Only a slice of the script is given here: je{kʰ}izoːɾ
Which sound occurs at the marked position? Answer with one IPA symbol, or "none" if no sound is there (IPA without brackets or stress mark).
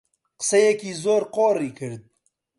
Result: k